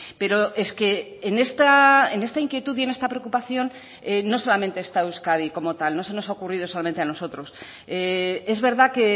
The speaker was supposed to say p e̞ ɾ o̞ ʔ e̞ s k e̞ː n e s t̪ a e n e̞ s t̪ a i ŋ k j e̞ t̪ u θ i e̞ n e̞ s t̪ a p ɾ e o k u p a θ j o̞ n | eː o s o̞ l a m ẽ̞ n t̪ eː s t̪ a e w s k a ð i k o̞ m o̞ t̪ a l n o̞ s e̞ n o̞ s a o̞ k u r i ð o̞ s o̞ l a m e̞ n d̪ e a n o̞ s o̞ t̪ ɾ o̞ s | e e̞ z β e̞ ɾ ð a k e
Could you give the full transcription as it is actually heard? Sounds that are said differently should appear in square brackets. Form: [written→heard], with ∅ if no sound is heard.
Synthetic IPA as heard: p e̞ ɾ o̞ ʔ e̞ s k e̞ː n e s t̪ a e n e̞ s t̪ a i ŋ k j e̞ t̪ u [θ→ð] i e̞ n e̞ s t̪ a p ɾ e o k u p a θ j o̞ n | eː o s o̞ l a m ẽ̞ n t̪ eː s t̪ a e w s k a ð i k o̞ m o̞ t̪ a l n o̞ s e̞ n o̞ s a o̞ k u r i ð o̞ s o̞ l a m e̞ n [d̪→t̪] e a n o̞ s o̞ t̪ ɾ o̞ s | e e̞ z β e̞ ɾ ð a k e